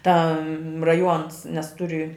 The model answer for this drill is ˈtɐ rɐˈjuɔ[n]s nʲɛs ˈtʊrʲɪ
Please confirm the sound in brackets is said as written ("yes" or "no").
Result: yes